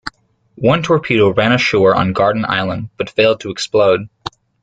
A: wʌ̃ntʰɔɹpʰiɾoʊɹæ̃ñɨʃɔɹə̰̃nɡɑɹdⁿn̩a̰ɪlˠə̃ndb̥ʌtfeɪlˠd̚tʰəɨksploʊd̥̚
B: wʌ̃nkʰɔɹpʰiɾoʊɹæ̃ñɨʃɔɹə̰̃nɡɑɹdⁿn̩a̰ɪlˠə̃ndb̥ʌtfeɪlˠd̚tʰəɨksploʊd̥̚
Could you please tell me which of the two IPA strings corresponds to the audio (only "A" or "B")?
A